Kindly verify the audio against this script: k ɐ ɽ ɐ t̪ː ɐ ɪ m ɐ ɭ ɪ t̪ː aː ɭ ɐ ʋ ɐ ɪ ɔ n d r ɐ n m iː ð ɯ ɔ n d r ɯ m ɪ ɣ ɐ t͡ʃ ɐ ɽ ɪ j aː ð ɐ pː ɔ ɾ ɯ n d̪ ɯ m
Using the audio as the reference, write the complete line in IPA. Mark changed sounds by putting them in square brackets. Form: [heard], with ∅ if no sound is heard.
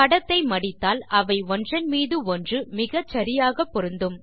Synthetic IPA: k ɐ ɽ ɐ t̪ː ɐ ɪ m ɐ [ɽ] ɪ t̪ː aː [l] ɐ ʋ ɐ ɪ ɔ n d r ɐ n m iː ð ɯ ɔ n d r ɯ m ɪ ɣ ɐ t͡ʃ ɐ [ɾ] ɪ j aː [ɣ] ɐ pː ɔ ɾ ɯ n d̪ ɯ m